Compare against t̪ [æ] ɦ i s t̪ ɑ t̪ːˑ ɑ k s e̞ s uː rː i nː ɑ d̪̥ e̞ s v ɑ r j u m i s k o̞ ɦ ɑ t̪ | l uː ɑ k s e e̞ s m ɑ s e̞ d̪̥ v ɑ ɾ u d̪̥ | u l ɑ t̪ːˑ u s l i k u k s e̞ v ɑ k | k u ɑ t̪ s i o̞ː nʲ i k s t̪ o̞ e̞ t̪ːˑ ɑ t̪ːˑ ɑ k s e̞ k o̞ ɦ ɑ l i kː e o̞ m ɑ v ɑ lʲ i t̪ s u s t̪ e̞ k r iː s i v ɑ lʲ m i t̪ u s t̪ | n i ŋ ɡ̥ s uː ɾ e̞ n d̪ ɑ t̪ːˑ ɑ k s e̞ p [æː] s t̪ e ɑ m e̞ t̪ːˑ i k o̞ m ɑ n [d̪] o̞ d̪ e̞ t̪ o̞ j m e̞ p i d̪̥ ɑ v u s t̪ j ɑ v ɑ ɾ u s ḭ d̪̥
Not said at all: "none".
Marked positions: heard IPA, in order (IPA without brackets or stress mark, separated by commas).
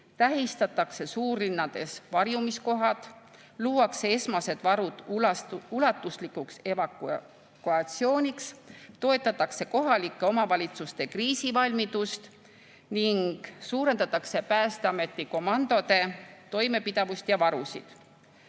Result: æ, æː, d̪